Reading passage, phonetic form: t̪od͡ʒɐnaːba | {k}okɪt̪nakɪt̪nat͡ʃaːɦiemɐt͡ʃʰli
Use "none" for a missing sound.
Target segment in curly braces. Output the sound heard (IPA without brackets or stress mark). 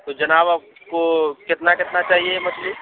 k